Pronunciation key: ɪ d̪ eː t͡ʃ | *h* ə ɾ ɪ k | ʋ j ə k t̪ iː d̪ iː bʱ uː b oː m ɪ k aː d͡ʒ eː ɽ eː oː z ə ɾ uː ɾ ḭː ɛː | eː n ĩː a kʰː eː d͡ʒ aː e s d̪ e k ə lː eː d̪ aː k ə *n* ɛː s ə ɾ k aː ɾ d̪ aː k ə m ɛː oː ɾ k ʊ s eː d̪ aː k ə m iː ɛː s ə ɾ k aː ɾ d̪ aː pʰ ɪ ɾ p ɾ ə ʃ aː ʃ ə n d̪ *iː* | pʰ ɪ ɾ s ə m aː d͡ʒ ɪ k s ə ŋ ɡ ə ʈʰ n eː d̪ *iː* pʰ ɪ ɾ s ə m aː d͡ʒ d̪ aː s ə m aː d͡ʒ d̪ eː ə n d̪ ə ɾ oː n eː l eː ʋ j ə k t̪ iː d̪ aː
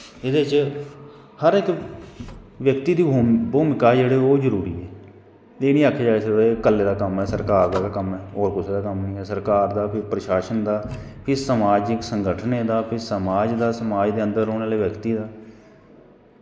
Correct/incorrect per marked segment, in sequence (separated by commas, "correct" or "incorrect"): correct, incorrect, incorrect, incorrect